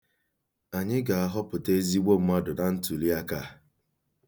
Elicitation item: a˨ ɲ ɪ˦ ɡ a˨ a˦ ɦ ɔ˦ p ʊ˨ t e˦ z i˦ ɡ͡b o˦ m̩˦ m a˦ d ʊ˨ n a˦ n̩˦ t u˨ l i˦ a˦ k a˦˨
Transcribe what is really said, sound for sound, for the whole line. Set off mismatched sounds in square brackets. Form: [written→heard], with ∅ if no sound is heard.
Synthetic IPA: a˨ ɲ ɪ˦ ɡ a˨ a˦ ɦ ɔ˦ p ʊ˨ t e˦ z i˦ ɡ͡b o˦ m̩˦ m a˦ d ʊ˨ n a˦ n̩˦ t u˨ l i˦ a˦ k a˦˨